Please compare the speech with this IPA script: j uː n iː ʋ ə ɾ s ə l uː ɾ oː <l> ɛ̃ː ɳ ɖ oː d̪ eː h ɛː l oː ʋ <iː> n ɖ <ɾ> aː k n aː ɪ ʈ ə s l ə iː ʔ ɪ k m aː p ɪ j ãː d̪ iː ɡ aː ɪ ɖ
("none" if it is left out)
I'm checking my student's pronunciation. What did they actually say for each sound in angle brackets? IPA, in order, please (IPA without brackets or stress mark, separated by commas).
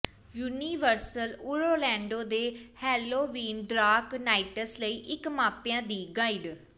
l, iː, ɾ